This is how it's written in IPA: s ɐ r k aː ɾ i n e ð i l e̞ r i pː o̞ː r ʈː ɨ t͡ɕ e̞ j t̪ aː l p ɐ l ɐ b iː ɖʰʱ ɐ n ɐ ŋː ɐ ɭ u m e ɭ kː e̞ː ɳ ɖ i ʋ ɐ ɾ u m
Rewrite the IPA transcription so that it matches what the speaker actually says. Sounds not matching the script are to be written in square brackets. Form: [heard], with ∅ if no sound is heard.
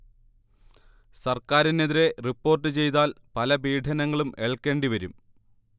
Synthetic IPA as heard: s ɐ r k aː ɾ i n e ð i [ɾ] e̞ r i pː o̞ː r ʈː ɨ t͡ɕ e̞ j t̪ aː l p ɐ l ɐ b iː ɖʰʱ ɐ n ɐ ŋː ɐ ɭ u m e ɭ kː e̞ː ɳ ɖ i ʋ ɐ ɾ u m